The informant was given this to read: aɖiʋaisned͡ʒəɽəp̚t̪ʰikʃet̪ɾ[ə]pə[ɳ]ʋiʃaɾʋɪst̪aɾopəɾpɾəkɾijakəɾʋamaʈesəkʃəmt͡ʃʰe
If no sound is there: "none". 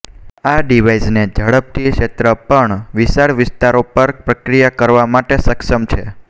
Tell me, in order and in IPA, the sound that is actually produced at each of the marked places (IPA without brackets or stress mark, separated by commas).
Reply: ə, ɳ